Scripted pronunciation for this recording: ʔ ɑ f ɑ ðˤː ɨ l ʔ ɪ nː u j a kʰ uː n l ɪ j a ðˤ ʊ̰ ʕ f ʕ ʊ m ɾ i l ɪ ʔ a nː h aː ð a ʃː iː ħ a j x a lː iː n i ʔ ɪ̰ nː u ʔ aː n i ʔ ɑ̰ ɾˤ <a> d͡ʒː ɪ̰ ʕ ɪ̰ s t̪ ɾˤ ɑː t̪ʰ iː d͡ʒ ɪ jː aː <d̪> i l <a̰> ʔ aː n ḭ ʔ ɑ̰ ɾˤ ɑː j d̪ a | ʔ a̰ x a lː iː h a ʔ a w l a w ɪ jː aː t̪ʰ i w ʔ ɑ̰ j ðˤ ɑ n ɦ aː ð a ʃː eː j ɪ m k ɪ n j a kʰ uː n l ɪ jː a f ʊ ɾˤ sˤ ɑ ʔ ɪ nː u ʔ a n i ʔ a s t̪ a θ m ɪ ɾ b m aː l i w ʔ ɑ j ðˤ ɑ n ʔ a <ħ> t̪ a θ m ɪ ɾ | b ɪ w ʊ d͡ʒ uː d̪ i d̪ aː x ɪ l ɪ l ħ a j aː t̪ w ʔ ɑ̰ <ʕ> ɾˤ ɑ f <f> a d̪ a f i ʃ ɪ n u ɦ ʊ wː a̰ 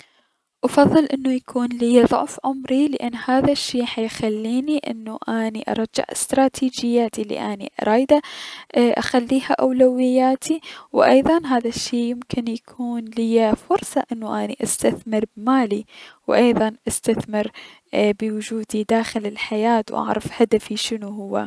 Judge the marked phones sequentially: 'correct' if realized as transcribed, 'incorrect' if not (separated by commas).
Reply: incorrect, incorrect, incorrect, incorrect, correct, incorrect